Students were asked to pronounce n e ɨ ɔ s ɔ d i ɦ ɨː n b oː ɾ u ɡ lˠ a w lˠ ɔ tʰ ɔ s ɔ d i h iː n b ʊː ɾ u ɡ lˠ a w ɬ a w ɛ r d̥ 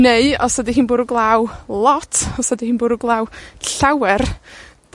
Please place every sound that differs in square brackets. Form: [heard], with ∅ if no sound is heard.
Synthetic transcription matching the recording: n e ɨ ɔ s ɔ d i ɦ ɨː n b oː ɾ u ɡ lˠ a w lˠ ɔ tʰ ɔ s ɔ d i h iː n b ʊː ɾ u ɡ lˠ a w ɬ a w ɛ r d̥

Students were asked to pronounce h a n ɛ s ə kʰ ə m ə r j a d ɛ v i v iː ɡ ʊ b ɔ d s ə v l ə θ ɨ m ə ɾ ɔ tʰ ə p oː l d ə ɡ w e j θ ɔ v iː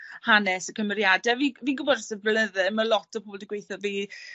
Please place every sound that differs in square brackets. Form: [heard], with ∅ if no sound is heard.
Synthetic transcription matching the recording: h a n ɛ s ə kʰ ə m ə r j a d ɛ v i v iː ɡ ʊ b ɔ d s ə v l ə [ð] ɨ m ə [l] ɔ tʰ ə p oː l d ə ɡ w e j θ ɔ v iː

